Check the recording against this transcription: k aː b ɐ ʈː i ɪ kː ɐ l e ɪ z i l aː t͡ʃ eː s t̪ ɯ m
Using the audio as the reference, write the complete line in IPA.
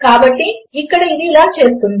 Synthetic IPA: k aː b ɐ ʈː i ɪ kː ɐ ɽ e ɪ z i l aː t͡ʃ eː s t̪ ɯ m